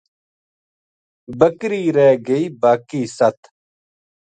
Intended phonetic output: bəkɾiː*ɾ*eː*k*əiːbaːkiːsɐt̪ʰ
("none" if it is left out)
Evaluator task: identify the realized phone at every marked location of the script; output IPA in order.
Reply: ɾ, ɡ

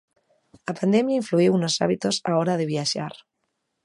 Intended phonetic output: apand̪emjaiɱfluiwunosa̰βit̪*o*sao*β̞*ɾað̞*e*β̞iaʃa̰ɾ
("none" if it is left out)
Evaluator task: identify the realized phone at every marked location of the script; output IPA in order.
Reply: o, none, e

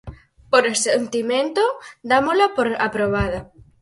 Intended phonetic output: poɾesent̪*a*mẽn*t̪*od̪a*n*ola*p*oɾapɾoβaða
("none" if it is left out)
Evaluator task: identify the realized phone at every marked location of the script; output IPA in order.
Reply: i, t̪, m, p

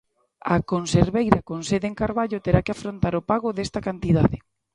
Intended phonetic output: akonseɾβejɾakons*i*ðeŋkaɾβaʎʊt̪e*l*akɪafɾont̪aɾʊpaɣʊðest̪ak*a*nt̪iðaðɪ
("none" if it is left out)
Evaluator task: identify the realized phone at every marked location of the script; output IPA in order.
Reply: e, ɾ, a

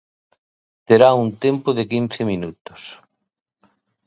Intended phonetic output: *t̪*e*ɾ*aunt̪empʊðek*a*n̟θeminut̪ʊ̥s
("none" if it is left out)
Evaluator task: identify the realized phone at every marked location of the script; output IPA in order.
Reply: t̪, ɾ, i

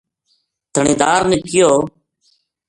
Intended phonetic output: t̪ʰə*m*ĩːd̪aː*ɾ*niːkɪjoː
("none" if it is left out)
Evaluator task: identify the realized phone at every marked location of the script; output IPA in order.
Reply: ɳ, ɾ

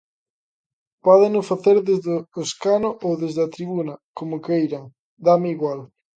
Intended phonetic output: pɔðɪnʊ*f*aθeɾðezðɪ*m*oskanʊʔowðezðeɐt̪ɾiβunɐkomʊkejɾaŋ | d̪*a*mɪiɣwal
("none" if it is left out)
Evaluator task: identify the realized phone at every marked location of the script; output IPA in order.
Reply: f, none, a

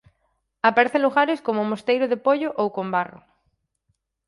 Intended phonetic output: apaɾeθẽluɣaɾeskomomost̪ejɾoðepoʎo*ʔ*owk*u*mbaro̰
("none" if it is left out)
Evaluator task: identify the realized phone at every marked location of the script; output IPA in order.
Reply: ʔ, o

